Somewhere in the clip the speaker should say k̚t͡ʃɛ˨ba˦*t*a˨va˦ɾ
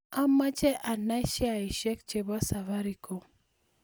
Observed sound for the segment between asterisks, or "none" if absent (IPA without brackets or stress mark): s